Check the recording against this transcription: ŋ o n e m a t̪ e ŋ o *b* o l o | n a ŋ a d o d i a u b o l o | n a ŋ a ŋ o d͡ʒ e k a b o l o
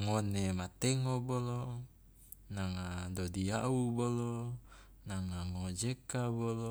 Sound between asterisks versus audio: correct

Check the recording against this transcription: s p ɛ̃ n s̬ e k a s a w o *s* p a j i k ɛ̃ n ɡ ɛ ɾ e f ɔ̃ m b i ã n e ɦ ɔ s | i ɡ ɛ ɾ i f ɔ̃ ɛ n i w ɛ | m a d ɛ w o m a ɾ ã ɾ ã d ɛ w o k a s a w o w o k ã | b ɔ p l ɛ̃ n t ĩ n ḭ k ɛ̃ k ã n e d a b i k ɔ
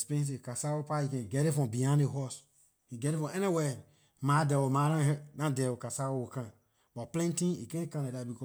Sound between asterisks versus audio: incorrect: none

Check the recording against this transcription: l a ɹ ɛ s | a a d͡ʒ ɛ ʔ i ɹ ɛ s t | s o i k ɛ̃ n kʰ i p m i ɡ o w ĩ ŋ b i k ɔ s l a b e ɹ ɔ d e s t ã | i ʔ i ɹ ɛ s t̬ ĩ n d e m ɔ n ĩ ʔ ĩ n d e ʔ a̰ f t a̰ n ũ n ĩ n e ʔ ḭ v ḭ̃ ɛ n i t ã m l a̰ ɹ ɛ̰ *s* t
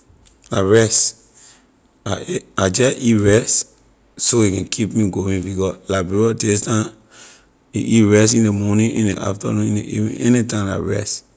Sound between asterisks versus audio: correct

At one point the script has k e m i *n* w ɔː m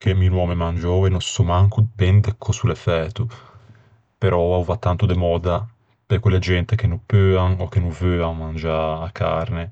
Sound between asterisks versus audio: correct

